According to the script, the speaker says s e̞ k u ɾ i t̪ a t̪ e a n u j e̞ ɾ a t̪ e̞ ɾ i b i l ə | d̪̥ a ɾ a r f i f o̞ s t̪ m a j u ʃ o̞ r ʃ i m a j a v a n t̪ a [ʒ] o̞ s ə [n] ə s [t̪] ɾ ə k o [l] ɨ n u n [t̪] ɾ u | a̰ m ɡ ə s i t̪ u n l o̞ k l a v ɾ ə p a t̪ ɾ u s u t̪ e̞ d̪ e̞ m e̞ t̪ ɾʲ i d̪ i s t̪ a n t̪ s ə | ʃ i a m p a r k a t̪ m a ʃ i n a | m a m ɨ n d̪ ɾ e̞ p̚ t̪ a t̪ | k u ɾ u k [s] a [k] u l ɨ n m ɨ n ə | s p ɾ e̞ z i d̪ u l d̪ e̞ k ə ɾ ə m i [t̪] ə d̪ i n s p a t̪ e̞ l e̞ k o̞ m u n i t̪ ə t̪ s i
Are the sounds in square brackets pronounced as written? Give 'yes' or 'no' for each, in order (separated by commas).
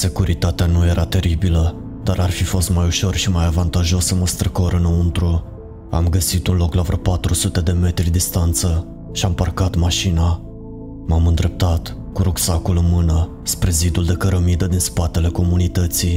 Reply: yes, no, yes, no, yes, yes, yes, no